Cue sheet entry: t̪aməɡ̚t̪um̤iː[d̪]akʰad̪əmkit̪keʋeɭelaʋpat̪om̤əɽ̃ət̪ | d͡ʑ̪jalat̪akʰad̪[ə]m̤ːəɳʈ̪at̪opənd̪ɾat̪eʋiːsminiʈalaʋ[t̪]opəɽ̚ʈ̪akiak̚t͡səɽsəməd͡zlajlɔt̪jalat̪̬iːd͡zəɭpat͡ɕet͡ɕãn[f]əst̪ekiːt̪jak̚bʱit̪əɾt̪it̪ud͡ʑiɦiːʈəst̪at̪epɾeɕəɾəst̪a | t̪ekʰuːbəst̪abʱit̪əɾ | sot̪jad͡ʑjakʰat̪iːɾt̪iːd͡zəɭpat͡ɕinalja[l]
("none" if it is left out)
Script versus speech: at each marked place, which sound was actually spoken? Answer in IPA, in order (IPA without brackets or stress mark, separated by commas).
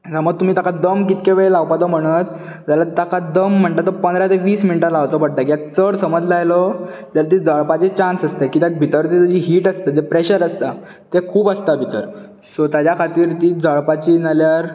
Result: t̪, ə, t̪, s, ɾ